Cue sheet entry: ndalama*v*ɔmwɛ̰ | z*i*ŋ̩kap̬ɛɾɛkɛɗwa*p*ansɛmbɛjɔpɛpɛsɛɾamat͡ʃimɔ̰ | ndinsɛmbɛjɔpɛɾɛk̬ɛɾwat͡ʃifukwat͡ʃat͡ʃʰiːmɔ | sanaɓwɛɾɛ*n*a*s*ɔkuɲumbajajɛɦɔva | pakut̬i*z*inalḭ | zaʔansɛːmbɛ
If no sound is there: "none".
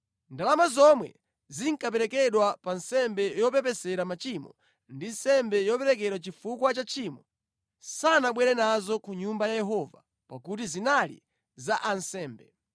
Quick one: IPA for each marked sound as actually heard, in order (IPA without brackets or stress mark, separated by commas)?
z, i, p, n, z, z